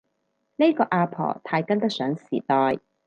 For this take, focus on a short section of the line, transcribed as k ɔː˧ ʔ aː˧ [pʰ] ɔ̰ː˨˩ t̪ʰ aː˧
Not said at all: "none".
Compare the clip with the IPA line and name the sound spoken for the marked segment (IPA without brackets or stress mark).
pʰ